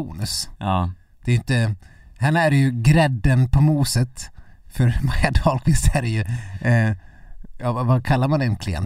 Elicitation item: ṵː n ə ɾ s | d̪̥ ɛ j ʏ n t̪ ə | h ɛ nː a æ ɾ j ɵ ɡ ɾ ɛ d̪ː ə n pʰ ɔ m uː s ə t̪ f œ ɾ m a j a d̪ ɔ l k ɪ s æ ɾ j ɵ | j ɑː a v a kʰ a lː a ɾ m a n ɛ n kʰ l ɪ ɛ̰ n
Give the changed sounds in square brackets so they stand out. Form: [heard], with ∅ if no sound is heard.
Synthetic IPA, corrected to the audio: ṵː n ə [∅] s | d̪̥ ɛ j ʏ n t̪ ə | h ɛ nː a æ ɾ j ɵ ɡ ɾ ɛ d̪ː ə n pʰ ɔ m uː s ə t̪ f œ ɾ m a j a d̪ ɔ l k ɪ s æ ɾ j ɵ | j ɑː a v a kʰ a lː a ɾ m a n ɛ n kʰ l ɪ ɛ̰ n